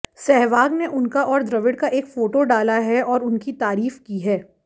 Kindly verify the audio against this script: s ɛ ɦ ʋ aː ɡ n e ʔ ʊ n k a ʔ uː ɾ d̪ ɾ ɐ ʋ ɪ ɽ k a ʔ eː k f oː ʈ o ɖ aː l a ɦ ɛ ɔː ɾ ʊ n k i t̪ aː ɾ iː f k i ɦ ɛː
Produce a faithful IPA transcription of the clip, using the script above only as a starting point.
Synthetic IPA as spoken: s ɛ ɦ ʋ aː ɡ n e ʔ ʊ n k a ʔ ɔː ɾ d̪ ɾ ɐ ʋ ɪ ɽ k a ʔ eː k f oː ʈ o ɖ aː l a ɦ ɛ ɔː ɾ ʊ n k i t̪ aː ɾ iː f k i ɦ ɛː